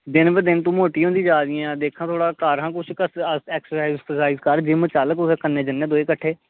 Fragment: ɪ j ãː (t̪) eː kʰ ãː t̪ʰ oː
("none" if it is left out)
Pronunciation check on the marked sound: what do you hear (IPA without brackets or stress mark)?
d̪